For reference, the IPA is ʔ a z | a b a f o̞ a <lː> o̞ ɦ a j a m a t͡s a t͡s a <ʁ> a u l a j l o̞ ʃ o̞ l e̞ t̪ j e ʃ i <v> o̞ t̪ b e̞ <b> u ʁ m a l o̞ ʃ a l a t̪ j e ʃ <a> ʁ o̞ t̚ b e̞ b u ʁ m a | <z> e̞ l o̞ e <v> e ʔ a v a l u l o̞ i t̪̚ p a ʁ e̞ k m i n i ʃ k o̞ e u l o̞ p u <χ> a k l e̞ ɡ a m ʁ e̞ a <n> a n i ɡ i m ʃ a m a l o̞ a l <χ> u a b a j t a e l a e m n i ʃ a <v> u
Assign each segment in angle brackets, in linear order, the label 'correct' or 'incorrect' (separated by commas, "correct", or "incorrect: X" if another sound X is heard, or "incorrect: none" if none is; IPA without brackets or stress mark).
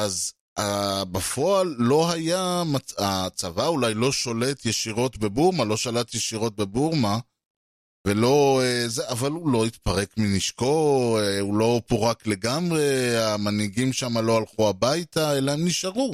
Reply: correct, incorrect: v, incorrect: ʁ, correct, incorrect: i, incorrect: v, incorrect: z, incorrect: ʁ, incorrect: m, correct, incorrect: ʁ